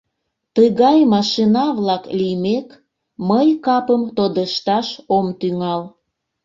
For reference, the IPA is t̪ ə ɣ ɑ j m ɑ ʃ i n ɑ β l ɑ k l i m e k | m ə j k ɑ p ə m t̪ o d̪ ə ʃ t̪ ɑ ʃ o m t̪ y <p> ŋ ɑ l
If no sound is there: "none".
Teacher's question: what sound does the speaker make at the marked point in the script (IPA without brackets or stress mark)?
none